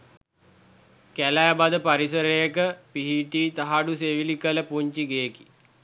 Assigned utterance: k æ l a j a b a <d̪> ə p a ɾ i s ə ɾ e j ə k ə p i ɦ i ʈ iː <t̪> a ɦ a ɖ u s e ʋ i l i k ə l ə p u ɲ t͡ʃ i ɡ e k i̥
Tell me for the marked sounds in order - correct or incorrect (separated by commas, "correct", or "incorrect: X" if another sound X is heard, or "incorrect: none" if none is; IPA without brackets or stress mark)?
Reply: correct, correct